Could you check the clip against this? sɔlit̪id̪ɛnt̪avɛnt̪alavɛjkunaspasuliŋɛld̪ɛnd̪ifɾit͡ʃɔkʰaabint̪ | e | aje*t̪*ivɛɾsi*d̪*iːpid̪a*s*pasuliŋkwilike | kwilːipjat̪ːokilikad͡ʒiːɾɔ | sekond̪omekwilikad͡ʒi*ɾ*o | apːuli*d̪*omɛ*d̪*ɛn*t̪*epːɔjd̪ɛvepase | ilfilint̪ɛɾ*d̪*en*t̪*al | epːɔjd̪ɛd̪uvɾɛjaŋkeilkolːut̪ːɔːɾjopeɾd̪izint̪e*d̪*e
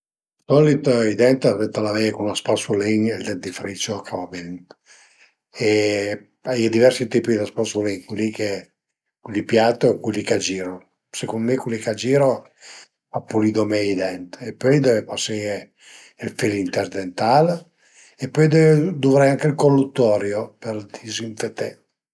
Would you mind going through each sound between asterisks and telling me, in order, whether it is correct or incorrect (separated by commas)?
incorrect, incorrect, correct, correct, correct, correct, correct, correct, correct, incorrect